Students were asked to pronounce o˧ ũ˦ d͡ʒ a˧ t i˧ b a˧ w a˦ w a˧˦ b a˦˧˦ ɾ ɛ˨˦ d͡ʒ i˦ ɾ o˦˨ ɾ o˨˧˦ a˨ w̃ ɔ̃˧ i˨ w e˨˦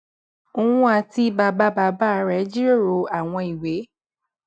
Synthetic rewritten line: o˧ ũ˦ a˧ t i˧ b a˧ b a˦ b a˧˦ b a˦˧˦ ɾ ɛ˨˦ d͡ʒ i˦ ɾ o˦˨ ɾ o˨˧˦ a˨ w̃ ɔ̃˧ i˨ w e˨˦